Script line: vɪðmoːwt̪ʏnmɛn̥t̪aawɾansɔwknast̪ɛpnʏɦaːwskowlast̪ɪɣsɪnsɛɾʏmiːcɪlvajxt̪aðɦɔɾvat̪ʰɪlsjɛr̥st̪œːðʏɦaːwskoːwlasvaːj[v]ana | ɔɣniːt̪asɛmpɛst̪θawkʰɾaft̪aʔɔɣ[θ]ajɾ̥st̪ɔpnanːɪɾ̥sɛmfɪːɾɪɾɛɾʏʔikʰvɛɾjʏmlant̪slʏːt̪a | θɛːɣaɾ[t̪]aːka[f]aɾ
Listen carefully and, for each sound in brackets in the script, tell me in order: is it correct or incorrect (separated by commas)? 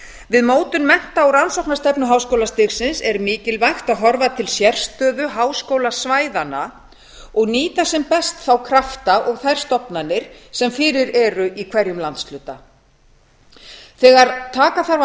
incorrect, correct, incorrect, incorrect